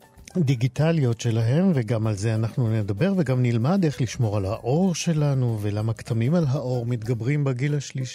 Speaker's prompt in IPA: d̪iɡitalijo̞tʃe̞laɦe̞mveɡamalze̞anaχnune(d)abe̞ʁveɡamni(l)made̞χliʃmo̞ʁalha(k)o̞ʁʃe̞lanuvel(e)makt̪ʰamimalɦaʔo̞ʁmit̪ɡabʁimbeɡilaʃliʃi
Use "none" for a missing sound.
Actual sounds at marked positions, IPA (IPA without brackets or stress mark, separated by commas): d, l, ʔ, a